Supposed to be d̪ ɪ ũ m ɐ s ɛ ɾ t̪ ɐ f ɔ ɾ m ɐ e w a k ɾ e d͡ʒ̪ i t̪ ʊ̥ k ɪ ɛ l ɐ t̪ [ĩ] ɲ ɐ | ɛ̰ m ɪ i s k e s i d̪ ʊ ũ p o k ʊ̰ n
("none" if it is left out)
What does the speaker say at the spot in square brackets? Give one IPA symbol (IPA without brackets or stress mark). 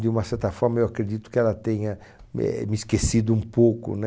ẽ